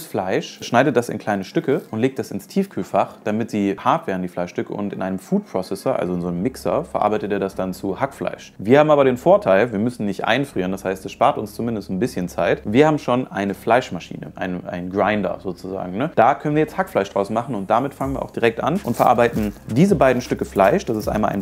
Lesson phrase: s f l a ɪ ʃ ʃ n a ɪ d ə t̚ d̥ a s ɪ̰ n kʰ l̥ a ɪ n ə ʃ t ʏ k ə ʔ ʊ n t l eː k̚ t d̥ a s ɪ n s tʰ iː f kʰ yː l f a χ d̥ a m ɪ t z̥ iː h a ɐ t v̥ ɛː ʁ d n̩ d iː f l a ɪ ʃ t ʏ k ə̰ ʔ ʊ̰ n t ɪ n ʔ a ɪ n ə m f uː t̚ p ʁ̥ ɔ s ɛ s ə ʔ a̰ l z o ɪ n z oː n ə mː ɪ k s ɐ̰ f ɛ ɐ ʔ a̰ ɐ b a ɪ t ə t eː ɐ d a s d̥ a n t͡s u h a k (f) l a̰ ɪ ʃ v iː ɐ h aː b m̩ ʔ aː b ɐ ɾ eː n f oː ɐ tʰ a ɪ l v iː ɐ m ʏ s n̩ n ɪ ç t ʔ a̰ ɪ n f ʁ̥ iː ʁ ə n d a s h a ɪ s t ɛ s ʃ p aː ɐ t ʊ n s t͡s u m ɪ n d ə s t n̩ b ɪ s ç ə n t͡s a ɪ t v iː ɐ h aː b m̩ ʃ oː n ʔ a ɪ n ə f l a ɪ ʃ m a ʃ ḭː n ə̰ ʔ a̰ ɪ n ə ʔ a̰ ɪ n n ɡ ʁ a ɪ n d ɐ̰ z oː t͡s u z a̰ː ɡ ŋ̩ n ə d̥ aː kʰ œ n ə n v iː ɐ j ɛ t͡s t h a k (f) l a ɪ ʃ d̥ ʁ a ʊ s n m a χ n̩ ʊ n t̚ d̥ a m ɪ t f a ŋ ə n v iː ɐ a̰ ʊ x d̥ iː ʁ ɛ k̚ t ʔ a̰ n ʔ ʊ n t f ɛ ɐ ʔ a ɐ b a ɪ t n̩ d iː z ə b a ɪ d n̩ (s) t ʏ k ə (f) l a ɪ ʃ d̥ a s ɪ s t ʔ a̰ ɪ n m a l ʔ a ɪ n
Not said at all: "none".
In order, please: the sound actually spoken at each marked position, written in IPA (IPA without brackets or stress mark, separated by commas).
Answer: f, f, ʃ, f